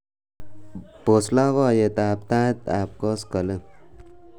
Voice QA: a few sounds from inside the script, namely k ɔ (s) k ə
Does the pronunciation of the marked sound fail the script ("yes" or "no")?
no